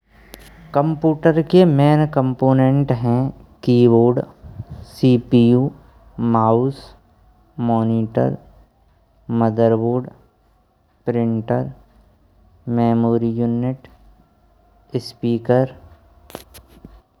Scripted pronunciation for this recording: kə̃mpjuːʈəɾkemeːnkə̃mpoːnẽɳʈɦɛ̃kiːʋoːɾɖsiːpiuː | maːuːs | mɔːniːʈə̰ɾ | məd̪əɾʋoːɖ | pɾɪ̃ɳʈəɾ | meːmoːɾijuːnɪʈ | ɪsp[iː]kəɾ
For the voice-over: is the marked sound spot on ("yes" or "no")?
yes